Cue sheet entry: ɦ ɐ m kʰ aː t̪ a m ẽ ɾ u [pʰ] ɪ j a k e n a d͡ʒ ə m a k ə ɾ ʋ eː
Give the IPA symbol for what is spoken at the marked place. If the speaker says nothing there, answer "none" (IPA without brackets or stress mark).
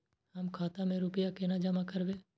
p